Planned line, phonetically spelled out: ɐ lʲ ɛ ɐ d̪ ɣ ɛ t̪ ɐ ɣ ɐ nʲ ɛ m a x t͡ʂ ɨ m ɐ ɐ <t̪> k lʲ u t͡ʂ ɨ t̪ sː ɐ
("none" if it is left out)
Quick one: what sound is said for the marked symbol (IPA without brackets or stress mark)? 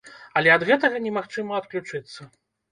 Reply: t̪